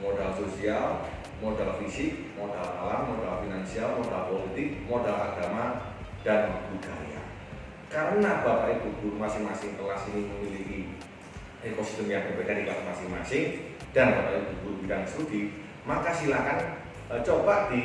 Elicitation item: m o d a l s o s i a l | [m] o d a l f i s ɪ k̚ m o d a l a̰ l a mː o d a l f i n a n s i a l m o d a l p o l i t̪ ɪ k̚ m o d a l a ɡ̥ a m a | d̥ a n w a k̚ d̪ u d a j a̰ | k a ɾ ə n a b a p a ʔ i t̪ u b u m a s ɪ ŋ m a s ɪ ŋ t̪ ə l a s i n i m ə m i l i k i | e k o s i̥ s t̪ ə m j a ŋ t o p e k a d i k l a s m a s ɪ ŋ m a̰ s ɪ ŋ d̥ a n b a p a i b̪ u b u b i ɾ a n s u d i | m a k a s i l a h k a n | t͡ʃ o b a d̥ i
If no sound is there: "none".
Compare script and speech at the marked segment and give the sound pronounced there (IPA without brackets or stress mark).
m